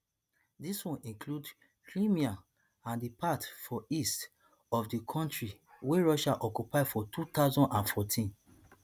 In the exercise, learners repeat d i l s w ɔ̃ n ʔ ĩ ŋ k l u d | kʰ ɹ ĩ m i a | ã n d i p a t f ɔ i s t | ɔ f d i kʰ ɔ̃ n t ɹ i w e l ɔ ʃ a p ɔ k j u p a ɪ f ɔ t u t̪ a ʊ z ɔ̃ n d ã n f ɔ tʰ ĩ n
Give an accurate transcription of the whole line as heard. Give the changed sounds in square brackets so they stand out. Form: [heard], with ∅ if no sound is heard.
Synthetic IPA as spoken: d i [∅] s w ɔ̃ n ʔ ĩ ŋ k l u d | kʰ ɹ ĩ m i a | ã n d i p a t f ɔ i s t | ɔ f d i kʰ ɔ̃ n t ɹ i w e [ɹ] ɔ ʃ a [ʔ] ɔ k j u p a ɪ f ɔ t u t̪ a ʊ z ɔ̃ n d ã n f ɔ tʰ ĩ n